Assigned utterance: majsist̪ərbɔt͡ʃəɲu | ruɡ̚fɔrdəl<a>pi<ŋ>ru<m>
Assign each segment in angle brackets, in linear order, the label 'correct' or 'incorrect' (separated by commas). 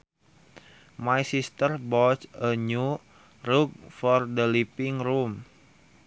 incorrect, correct, correct